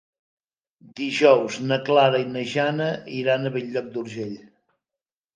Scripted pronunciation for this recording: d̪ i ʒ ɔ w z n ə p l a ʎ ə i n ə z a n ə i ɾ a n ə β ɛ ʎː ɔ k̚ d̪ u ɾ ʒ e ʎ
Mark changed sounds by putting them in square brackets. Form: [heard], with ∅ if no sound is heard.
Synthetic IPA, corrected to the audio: d̪ i ʒ ɔ w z n ə [k] l a [ɾ] ə i n ə [ʒ] a n ə i ɾ a n ə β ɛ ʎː ɔ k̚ d̪ u ɾ ʒ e ʎ